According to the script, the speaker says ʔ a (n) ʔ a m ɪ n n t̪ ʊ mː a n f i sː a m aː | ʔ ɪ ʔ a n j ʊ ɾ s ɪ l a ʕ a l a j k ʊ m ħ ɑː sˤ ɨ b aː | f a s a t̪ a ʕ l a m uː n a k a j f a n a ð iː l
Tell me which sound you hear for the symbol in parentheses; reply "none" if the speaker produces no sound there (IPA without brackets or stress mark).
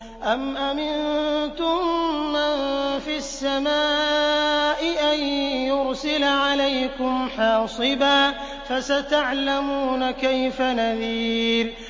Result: m